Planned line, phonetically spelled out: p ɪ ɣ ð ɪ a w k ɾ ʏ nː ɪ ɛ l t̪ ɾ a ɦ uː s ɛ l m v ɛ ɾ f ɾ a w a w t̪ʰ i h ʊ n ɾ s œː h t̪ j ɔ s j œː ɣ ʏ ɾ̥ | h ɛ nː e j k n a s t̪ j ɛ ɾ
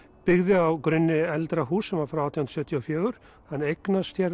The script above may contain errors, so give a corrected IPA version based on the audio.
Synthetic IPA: p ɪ ɣ ð ɪ a w k ɾ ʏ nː ɪ ɛ l t̪ ɾ a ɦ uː s ɛ m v a ɾ f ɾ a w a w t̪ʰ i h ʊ n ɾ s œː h t̪ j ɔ f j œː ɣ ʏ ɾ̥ | h a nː e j k n a s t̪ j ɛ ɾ

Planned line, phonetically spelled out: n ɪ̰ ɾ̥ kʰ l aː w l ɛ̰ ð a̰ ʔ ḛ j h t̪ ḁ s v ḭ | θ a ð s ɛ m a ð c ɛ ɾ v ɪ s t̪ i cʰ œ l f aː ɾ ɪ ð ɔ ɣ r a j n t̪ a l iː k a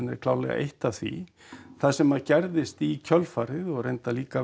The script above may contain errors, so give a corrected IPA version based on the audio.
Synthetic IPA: n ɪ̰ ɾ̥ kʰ l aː w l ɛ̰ ɣ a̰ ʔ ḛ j h t̪ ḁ θ v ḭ | θ a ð s ɛ m a ð c ɛ ɾ ð ɪ s t̪ i cʰ œ l f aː ɾ ɪ ð ɔ ɣ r e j n t̪ a l iː k a

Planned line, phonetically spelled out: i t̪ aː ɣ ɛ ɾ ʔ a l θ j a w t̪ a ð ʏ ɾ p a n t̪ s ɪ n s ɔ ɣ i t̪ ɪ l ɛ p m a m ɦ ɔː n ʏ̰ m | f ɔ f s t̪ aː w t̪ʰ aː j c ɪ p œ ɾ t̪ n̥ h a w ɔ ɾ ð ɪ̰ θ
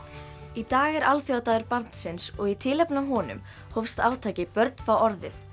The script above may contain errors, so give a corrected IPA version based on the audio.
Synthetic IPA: i t̪ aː ɣ ɛ ɾ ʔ a l θ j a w t̪ a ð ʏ ɾ p a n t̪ s ɪ n s ɔ ɣ i t̪ʰ ɪ l ɛ p n a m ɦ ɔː n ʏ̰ m | h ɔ f s t̪ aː w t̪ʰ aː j c ɪ p œ ɾ t̪ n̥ f a w ɔ ɾ ð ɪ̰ θ

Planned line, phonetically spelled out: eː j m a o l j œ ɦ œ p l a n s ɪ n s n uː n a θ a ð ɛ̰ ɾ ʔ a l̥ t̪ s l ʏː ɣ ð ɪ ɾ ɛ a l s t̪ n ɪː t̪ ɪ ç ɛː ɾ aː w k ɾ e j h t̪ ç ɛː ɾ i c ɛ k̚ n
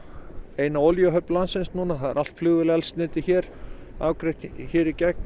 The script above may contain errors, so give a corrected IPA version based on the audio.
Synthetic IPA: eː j n a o l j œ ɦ œ p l a n s ɪ n s n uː n a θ a ð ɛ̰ ɾ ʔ a l̥ t̪ f l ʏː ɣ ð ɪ l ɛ a l s t̪ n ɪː t̪ ɪ ç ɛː ɾ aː w k ɾ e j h t̪ ç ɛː ɾ i c ɛ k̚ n

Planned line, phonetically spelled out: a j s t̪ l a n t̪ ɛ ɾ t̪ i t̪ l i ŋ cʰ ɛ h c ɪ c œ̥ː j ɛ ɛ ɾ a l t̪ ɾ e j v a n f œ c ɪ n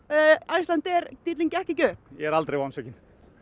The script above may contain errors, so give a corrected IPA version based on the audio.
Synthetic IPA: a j s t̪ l a n t̪ ɛ ɾ t̪ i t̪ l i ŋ c ɛ h c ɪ c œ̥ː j ɛ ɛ ɾ a l t̪ ɾ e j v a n s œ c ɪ n

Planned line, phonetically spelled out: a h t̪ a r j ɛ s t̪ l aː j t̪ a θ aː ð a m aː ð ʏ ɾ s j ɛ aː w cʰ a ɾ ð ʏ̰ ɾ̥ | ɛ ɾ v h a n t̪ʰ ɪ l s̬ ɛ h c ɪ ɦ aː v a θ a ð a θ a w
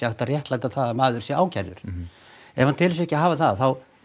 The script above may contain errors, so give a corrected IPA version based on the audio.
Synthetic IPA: a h t̪ a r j ɛ h t̪ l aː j t̪ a θ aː ð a m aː ð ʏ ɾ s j ɛ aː w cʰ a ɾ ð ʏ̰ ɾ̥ | ɛ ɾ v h a n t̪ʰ ɪ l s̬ ɛ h c ɪ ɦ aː v a θ a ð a θ a w

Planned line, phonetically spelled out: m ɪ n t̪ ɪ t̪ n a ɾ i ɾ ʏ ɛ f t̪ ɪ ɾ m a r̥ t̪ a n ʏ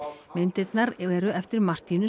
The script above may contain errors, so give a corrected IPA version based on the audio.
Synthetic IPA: m ɪ n t̪ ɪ t̪ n a ɾ ɛ ɾ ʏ ɛ f t̪ ɪ ɾ m a r̥ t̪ i n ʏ

